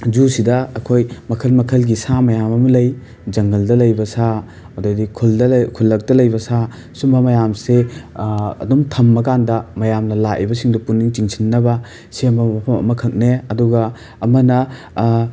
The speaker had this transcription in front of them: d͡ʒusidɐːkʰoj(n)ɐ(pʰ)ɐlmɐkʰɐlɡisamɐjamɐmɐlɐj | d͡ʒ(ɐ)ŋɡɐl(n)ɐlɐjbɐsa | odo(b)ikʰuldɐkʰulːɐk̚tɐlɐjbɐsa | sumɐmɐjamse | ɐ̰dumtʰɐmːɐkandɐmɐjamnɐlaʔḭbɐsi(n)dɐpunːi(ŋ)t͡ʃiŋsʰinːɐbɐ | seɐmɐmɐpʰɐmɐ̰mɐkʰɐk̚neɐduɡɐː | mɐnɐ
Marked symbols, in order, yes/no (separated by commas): no, no, yes, no, no, no, yes